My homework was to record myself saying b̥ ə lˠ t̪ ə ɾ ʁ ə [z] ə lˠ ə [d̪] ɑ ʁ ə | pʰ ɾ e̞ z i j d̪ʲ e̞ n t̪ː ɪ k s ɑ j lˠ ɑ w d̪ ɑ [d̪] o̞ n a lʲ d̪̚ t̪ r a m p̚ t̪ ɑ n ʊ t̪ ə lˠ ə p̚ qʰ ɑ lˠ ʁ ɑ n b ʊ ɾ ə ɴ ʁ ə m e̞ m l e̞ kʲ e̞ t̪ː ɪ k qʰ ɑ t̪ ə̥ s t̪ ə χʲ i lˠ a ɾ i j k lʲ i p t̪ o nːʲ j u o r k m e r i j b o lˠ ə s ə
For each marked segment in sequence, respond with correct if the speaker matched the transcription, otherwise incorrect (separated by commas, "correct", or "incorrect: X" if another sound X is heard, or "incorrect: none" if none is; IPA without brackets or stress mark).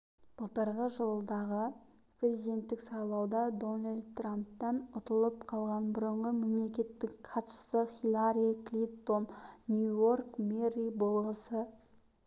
incorrect: ʒ, correct, correct